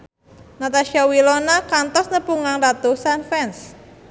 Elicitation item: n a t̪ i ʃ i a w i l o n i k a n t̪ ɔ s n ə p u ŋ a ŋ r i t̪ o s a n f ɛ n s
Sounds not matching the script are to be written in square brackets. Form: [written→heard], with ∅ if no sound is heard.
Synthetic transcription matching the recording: n a t̪ [i→a] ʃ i a w i l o n [i→a] k a n t̪ ɔ s n ə p u ŋ a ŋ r [i→a] t̪ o s a n f ɛ n s